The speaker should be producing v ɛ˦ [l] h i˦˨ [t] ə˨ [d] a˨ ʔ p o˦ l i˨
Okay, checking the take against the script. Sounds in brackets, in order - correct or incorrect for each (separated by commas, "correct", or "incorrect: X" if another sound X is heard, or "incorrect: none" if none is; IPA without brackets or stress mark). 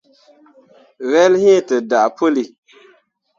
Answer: correct, correct, correct